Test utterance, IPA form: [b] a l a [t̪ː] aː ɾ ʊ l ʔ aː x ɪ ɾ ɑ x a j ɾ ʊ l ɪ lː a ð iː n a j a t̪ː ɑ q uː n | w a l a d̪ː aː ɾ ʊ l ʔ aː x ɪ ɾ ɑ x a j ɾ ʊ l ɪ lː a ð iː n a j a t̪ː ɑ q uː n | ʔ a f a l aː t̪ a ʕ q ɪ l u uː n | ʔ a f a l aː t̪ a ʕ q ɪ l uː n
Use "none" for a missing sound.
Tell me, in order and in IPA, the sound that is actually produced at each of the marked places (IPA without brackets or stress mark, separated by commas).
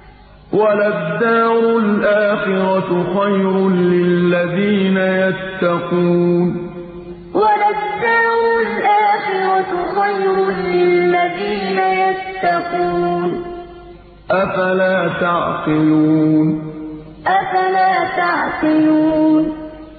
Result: w, d̪ː